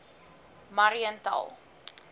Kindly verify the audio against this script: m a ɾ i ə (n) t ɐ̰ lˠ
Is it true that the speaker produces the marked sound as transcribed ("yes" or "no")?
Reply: yes